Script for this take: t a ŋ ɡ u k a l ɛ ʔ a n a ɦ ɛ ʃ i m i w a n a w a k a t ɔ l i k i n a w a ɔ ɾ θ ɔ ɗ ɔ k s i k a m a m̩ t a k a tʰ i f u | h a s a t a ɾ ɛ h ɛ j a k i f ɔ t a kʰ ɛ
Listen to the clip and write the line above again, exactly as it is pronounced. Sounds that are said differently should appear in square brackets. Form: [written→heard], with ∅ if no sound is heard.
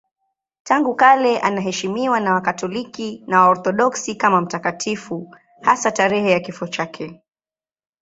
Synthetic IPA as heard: t a ŋ ɡ u k a l ɛ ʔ a n a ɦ ɛ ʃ i m i w a n a w a k a t ɔ l i k i n a w a ɔ ɾ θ ɔ ɗ ɔ k s i k a m a m̩ t a k a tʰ i f u | h a s a t a ɾ ɛ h ɛ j a k i f ɔ [t→t͡ʃ] a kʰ ɛ